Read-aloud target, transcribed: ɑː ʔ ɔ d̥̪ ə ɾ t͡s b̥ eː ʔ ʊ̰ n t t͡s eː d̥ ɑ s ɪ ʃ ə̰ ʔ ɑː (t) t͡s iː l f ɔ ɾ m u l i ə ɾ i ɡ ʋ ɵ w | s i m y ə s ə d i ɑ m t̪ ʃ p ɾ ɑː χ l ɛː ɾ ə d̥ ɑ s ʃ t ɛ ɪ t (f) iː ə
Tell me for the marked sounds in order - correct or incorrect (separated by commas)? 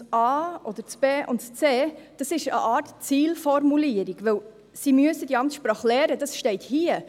correct, incorrect